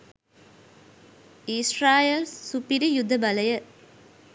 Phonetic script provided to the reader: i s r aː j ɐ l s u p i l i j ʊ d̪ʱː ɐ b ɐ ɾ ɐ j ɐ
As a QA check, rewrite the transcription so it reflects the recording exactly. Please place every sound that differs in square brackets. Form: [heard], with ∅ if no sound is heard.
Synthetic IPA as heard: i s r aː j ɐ l s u p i [ɾ] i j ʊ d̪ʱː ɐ b ɐ [l] ɐ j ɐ